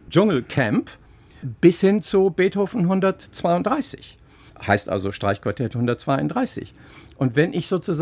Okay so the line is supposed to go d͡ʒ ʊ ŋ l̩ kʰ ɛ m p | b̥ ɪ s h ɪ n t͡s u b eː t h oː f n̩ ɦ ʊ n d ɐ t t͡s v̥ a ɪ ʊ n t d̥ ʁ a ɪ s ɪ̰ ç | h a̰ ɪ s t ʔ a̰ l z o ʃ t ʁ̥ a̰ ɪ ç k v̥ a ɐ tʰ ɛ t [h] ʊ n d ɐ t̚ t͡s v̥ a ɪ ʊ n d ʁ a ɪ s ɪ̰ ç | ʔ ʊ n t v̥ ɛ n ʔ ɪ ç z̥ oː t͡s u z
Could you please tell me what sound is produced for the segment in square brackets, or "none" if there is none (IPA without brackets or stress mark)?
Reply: h